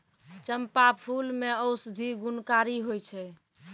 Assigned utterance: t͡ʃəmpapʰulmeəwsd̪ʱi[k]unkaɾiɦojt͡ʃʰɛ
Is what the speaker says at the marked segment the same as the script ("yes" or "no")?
no